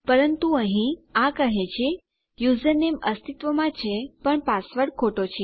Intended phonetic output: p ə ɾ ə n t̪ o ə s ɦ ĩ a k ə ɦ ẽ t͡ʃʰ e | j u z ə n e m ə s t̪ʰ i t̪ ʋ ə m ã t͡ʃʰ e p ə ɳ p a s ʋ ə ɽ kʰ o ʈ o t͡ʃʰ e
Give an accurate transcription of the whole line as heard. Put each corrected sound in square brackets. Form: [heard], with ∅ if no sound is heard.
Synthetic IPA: p ə ɾ ə n t̪ [u] ə [∅] ɦ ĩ a k ə ɦ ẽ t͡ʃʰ e | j u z ə n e m ə s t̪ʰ i t̪ ʋ ə m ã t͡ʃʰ e p ə ɳ p a s ʋ ə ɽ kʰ o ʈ o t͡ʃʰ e